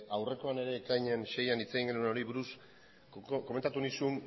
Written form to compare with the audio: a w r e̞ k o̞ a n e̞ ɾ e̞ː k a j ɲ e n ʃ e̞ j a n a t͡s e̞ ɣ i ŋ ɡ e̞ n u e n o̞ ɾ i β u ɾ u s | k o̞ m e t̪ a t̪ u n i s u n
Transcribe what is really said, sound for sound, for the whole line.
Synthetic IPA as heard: a w r e̞ k o̞ a n e̞ ɾ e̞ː k a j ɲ e n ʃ e̞ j a n i t͡s e̞ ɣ i ŋ ɡ e̞ n u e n o̞ ɾ i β u ɾ u s | k o̞ m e t̪ a t̪ u n i s u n